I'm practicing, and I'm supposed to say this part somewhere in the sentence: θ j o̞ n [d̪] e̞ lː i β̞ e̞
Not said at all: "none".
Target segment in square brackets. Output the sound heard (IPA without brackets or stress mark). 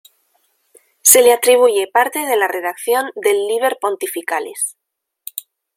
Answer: d̪